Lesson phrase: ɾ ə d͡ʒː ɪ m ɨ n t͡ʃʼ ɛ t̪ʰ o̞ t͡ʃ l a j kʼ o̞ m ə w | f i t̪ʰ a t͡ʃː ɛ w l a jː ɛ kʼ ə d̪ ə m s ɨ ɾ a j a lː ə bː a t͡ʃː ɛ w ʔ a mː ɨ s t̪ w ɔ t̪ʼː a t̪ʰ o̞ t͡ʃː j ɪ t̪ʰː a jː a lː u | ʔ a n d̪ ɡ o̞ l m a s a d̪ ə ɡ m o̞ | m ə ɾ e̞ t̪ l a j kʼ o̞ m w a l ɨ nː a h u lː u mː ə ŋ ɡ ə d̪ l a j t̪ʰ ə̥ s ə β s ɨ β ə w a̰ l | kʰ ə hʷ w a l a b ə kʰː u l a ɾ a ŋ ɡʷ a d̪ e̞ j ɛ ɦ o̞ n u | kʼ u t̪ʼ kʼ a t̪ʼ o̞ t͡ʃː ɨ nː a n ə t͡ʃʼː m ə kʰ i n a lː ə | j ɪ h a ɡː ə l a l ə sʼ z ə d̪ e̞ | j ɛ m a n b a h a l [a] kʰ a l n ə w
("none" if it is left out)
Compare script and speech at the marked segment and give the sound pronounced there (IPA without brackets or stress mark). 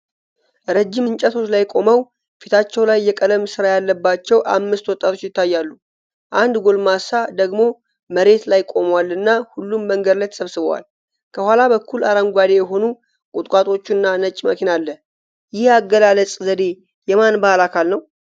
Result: a